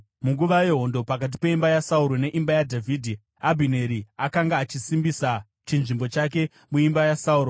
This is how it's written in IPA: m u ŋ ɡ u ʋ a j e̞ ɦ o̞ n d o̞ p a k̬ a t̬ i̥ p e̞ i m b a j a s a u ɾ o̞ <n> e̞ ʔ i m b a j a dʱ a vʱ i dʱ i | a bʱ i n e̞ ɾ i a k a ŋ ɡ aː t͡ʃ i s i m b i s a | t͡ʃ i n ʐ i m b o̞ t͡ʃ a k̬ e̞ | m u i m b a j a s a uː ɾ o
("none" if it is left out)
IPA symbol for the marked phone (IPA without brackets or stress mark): n